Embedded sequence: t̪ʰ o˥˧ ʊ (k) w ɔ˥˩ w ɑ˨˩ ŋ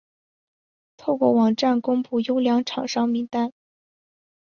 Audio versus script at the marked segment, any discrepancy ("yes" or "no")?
no